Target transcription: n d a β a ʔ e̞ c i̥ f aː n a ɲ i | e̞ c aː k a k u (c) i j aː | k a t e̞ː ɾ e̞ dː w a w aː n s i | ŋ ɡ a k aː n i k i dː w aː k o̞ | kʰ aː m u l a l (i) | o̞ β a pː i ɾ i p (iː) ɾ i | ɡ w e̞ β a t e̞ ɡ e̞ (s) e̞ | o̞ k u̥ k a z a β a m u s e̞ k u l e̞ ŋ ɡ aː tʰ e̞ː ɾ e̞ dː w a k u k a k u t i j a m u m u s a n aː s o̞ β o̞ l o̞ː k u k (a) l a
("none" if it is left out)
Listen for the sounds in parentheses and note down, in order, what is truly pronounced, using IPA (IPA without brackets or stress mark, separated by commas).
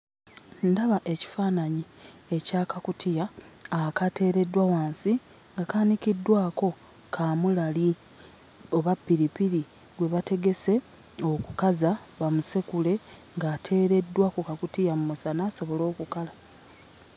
t, i, i, s, a